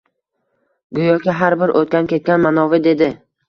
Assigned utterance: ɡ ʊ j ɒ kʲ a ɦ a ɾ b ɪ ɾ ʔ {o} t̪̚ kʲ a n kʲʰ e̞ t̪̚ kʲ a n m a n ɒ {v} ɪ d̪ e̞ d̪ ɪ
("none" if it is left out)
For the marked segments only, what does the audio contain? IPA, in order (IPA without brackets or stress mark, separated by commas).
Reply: o, v